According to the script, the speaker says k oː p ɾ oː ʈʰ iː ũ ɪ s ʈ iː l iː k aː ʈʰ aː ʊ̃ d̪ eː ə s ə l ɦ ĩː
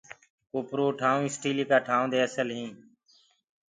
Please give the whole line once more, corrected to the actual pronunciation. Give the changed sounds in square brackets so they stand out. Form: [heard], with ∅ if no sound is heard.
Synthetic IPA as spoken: k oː p ɾ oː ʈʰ [aː] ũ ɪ s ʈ iː l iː k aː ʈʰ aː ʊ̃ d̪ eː ə s ə l ɦ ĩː